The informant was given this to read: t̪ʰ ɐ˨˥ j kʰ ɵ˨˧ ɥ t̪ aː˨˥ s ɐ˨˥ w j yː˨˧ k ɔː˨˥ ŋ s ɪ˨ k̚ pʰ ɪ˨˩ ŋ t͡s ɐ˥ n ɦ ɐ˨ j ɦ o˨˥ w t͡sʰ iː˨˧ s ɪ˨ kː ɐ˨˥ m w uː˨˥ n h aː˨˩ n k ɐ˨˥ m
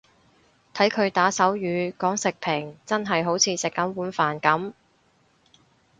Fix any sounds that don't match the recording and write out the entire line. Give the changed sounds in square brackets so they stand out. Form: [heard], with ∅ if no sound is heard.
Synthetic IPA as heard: t̪ʰ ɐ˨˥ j kʰ ɵ˨˧ ɥ t̪ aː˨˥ s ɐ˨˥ w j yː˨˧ k ɔː˨˥ ŋ s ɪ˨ k̚ pʰ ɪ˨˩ ŋ t͡s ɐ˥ n ɦ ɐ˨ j ɦ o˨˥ w t͡sʰ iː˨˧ s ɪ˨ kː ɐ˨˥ m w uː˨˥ n [f] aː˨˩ n k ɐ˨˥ m

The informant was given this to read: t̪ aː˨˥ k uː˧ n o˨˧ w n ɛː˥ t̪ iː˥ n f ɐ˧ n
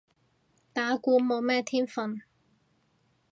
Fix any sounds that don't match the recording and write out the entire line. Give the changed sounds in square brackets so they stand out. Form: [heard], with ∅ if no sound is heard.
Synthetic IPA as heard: t̪ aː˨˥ k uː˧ [m] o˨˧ w [m] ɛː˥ [t̪ʰ] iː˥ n f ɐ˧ n

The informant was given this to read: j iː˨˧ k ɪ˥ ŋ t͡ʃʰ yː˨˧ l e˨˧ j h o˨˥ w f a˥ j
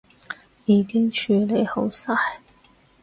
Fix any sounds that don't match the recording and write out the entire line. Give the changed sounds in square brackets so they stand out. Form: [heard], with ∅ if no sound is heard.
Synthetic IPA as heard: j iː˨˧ k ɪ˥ ŋ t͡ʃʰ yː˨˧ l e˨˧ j h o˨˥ w [s] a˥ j

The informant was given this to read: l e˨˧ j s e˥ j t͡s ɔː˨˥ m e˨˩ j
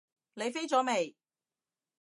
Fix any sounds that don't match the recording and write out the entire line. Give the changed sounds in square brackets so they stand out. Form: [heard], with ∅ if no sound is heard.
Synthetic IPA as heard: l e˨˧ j [f] e˥ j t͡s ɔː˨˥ m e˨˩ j

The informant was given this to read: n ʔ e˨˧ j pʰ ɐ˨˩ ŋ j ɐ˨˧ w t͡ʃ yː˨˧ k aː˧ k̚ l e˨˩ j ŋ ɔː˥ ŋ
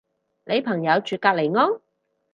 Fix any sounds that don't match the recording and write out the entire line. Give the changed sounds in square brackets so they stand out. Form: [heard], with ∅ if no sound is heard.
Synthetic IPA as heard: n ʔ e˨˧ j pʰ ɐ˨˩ ŋ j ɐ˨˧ w t͡ʃ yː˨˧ k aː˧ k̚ l e˨˩ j ŋ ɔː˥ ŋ

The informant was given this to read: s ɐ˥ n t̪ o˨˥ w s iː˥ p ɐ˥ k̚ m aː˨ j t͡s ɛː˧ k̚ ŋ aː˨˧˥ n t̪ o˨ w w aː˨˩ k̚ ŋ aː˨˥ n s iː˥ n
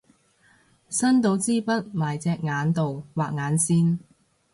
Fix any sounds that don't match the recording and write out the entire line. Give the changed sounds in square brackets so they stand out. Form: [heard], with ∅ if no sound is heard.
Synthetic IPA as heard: s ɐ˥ n t̪ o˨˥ w [t͡s] iː˥ p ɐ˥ [t̚] m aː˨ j t͡s ɛː˧ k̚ ŋ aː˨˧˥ n t̪ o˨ w w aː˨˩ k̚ ŋ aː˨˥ n s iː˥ n

